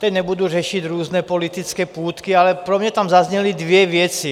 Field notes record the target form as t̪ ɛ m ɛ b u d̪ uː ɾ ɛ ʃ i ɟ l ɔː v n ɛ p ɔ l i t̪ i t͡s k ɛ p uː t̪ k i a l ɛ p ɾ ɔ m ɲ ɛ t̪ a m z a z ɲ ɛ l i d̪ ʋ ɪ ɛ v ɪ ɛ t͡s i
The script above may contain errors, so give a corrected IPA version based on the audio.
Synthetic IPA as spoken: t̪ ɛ ɲ ɛ b u d̪ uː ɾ ɛ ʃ i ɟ ɾ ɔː z n ɛ p ɔ l i t̪ i t͡s k ɛ p uː t̪ k i a l ɛ p ɾ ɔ m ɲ ɛ t̪ a m z a z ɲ ɛ l i d̪ ʋ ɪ ɛ ʋ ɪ ɛ t͡s i